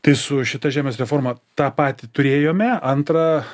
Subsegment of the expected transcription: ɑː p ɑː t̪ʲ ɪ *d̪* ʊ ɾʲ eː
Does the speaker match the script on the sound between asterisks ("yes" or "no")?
no